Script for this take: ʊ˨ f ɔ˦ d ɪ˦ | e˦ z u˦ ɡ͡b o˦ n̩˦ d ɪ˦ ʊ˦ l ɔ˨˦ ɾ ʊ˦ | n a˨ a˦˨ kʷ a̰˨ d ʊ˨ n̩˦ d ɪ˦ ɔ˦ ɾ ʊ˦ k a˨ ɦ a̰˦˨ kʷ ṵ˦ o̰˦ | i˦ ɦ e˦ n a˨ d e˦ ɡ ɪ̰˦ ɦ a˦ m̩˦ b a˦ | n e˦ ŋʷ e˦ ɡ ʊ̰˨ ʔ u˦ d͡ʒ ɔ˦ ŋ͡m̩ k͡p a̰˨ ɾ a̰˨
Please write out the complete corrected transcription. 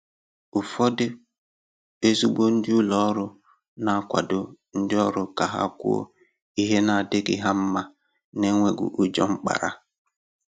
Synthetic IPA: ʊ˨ f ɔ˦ d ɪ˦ | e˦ z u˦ ɡ͡b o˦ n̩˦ d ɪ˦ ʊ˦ l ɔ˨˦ ɾ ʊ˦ | n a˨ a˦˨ kʷ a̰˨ d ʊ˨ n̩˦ d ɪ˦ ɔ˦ ɾ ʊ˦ k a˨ ɦ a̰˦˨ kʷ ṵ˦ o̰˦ | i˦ ɦ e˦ n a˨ d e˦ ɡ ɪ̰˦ ɦ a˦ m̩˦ m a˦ | n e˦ ŋʷ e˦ ɡ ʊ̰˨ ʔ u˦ d͡ʒ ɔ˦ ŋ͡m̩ k͡p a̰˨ ɾ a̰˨